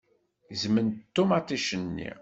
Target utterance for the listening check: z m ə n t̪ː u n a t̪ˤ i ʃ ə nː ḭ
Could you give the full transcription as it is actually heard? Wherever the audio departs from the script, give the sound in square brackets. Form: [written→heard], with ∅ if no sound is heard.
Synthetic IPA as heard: z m ə n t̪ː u [n→m] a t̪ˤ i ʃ ə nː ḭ